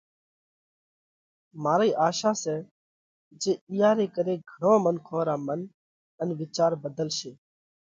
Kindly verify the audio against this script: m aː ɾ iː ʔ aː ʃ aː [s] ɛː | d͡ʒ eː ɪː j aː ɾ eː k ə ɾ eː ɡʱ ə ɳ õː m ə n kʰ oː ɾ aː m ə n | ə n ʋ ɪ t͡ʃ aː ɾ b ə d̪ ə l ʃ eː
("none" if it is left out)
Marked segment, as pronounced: s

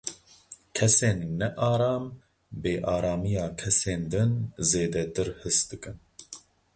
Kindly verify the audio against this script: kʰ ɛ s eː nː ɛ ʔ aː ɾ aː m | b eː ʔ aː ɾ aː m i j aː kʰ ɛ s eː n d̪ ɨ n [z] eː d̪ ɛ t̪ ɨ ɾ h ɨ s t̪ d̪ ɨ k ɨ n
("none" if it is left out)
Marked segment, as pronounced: z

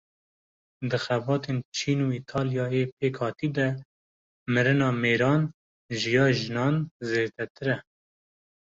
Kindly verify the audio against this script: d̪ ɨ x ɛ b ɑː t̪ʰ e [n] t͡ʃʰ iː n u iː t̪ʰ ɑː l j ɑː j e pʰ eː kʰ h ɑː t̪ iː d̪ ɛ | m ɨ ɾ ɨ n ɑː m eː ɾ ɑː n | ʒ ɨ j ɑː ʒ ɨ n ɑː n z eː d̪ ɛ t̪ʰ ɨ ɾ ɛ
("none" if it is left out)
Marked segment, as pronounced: n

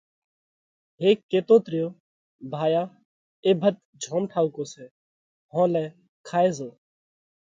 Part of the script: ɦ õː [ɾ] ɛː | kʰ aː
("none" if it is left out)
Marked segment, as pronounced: l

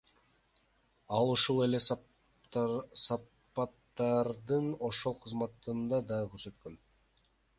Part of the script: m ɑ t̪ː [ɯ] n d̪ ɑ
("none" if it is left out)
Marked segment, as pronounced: ɯ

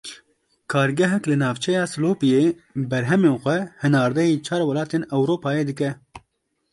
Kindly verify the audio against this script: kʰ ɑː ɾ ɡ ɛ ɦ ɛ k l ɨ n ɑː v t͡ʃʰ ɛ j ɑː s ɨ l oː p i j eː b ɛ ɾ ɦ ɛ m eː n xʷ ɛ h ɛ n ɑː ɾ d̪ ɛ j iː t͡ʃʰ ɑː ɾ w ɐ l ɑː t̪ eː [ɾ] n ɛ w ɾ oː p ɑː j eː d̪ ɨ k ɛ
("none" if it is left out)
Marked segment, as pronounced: none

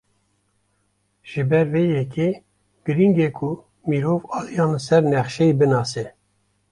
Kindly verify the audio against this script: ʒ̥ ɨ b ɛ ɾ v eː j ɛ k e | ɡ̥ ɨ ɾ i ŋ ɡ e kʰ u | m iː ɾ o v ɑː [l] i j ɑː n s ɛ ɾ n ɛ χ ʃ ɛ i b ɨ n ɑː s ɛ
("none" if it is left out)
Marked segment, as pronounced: l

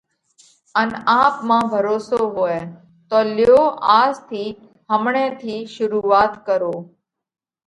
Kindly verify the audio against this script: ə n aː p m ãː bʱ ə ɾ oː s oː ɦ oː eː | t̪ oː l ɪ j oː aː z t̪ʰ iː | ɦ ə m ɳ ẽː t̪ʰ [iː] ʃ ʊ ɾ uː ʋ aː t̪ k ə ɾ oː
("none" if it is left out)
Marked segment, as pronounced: iː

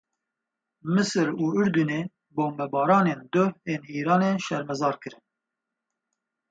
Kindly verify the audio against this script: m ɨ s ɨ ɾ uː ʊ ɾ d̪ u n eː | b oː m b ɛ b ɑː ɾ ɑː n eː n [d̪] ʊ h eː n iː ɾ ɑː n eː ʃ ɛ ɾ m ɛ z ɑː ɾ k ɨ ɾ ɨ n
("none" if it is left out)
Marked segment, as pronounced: d̪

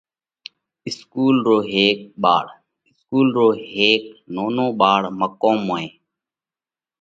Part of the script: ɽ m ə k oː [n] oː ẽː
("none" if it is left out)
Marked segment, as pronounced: m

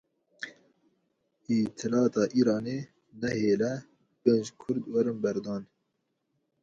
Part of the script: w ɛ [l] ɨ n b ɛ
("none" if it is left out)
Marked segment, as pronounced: ɾ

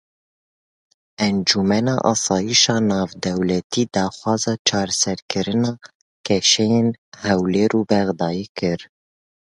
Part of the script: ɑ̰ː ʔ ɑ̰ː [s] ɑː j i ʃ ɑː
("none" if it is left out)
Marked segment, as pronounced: s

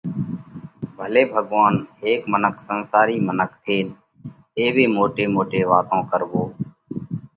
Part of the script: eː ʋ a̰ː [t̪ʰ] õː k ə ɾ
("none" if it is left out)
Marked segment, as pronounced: t̪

